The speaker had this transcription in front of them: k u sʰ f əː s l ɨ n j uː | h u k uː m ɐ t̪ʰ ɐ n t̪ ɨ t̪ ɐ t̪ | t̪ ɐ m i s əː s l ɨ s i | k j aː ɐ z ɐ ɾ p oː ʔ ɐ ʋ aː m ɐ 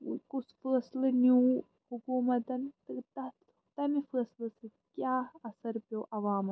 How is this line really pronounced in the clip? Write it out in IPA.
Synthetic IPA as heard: k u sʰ f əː s l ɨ n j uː | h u k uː m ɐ t̪ ɐ n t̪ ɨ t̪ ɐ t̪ | t̪ ɐ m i f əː s l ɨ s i | k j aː ɐ s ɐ ɾ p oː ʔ ɐ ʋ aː m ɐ